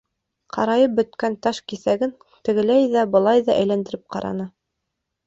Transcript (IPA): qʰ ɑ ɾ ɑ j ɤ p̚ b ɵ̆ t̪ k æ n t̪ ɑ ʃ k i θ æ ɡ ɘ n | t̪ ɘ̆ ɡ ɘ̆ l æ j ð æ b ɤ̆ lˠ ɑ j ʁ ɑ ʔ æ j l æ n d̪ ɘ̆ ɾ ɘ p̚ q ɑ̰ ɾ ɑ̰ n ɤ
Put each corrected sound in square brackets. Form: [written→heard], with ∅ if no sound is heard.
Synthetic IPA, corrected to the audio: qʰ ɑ ɾ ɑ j ɤ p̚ b ɵ̆ t̪ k æ n t̪ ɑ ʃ k i θ æ ɡ ɘ n | t̪ ɘ̆ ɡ ɘ̆ l æ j ð æ b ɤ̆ lˠ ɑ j [ʁ→ð] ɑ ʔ æ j l æ n d̪ ɘ̆ ɾ ɘ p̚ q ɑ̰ ɾ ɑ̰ n ɤ